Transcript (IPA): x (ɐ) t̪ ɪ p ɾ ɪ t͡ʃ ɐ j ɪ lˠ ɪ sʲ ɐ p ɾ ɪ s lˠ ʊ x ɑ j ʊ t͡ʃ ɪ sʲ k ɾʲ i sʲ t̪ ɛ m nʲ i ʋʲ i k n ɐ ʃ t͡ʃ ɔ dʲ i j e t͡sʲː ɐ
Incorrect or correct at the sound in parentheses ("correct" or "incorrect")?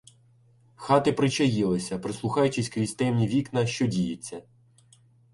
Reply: incorrect